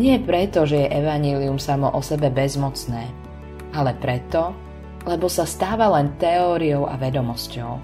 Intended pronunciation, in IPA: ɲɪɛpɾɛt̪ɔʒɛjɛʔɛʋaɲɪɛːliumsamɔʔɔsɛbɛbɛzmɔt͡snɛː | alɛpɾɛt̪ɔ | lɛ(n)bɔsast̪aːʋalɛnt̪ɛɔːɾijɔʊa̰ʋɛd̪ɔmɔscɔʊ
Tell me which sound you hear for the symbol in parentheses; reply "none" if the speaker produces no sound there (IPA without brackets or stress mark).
none